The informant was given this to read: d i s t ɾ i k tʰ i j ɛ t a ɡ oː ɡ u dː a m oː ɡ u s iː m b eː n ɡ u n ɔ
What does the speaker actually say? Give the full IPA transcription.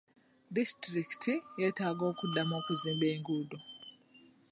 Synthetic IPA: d i s t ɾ i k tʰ i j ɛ t a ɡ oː k u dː a m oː k u z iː m b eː ŋ ɡ u d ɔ